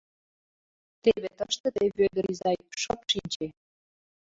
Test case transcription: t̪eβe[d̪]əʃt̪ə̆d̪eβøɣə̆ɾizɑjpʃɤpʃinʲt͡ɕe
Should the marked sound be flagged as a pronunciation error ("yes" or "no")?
yes